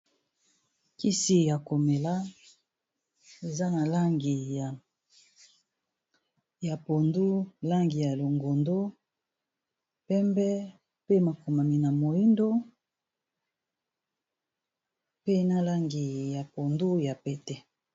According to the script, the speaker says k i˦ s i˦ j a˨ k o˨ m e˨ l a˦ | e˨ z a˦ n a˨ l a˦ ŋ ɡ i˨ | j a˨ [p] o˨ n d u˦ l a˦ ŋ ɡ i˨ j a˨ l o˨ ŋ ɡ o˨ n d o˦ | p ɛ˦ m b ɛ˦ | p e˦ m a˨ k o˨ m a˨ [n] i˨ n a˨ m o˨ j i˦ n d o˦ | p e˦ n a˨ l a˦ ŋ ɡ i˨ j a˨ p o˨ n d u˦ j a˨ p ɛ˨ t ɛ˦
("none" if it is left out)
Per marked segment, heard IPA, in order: p, m

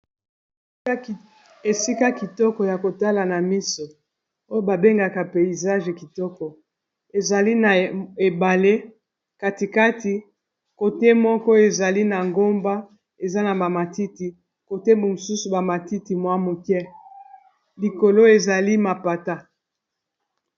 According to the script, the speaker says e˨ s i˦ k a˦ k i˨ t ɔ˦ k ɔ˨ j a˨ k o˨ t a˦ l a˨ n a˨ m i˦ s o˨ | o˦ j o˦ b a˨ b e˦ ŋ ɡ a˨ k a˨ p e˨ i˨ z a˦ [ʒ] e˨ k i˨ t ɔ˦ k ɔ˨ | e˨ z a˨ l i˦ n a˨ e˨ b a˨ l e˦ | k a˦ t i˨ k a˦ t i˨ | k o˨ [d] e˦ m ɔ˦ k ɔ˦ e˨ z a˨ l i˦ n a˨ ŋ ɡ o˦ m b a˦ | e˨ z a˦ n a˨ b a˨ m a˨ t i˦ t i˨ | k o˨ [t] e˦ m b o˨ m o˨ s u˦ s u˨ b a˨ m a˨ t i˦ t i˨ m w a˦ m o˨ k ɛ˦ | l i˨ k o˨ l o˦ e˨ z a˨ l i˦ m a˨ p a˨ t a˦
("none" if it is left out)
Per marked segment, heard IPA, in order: ʒ, t, t

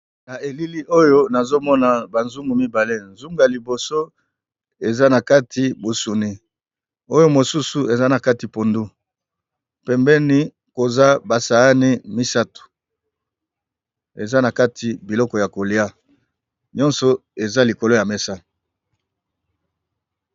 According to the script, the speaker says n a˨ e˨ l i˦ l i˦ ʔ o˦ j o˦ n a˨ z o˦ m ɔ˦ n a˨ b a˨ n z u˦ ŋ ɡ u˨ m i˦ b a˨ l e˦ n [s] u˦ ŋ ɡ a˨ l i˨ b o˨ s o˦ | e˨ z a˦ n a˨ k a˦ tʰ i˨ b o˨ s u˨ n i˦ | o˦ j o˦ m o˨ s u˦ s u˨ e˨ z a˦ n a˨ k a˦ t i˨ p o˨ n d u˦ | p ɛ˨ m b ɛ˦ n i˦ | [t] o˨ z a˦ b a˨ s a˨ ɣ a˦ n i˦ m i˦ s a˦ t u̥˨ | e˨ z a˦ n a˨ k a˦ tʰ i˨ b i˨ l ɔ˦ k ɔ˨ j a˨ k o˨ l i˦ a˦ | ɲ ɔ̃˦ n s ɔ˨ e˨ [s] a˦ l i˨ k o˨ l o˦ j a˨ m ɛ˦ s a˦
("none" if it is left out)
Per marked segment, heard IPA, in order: z, k, z

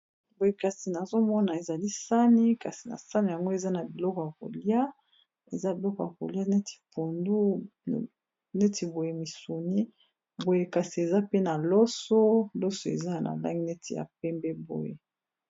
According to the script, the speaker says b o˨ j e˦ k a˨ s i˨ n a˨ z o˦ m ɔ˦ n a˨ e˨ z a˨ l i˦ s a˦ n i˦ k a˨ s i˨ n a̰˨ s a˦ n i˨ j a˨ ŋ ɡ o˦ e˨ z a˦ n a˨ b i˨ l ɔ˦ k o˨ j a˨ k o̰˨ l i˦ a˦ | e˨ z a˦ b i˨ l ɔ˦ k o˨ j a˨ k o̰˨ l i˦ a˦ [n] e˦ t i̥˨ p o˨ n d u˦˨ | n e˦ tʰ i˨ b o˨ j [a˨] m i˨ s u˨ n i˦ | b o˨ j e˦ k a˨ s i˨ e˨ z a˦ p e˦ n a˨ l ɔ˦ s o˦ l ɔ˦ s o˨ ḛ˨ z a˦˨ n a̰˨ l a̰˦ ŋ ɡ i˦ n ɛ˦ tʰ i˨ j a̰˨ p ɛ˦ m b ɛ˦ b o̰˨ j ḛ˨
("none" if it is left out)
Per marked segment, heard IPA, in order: n, e˨

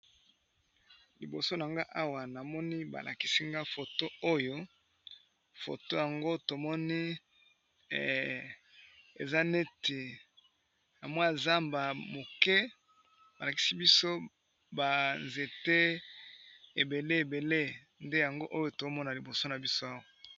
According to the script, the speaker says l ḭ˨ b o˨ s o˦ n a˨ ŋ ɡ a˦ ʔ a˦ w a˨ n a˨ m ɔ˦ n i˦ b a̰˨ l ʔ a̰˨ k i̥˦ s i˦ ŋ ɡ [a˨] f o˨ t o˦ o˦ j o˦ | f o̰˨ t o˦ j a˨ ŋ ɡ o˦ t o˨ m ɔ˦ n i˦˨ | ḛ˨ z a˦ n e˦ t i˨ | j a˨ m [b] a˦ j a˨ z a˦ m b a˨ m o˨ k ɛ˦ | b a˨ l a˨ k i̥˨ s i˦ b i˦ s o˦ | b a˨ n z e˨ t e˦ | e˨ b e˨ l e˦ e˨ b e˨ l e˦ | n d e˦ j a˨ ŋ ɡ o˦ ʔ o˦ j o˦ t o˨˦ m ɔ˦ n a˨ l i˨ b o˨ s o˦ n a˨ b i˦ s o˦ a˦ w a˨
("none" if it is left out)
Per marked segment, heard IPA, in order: a˦, w

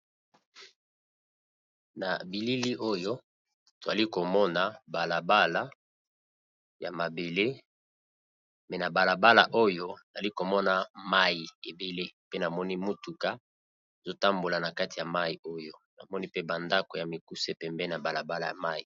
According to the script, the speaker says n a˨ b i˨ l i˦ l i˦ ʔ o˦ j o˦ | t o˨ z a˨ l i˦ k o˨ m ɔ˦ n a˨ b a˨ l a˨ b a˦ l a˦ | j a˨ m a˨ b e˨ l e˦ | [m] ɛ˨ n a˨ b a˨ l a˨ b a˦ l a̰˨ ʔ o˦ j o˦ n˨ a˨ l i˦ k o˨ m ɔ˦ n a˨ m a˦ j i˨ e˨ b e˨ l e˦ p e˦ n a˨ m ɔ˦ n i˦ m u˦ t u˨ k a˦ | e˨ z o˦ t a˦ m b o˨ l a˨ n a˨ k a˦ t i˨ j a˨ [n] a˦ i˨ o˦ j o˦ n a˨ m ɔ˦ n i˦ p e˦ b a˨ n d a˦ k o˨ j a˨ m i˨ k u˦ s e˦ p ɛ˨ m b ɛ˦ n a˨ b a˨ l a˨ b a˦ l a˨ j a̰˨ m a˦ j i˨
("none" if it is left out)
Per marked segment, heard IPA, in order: m, m

